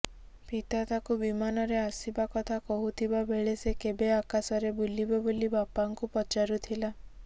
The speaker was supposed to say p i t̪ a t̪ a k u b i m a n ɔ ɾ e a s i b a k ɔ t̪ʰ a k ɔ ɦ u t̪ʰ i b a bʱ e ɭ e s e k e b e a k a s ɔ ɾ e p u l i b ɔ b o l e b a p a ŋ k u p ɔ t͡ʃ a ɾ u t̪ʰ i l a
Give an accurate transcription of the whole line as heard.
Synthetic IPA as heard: p i t̪ a t̪ a k u b i m a n ɔ ɾ e a s i b a k ɔ t̪ʰ a k ɔ ɦ u t̪ʰ i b a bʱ e ɭ e s e k e b e a k a s ɔ ɾ e b u l i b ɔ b o l i b a p a ŋ k u p ɔ t͡ʃ a ɾ u t̪ʰ i l a